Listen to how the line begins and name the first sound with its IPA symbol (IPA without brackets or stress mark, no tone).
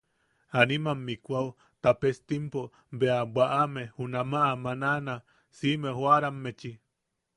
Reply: a